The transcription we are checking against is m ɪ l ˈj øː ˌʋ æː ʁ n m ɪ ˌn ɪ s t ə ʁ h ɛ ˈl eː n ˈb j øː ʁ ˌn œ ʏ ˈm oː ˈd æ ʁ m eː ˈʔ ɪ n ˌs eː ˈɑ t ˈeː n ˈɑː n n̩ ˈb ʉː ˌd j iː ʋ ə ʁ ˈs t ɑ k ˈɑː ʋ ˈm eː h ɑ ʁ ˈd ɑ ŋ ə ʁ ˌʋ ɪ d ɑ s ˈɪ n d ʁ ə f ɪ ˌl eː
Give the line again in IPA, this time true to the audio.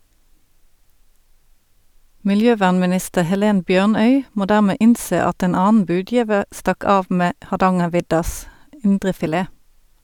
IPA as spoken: m ɪ l ˈj øː ˌʋ æː ʁ n m ɪ ˌn ɪ s t ə ʁ h ɛ ˈl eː n ˈb j øː ʁ ˌn œ ʏ ˈm oː ˈd æː ʁ m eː ˈʔ ɪ n ˌs eː ˈɑ t ˈeː n ˈɑː n n̩ ˈb ʉː ˌd j iː ʋ ə ʁ ˈs t ɑ k ˈɑː ʋ ˈm eː h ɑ ʁ ˈd ɑ ŋ ə ʁ ˌʋ ɪ d ɑ s ˈɪ n d ʁ ə f ɪ ˌl eː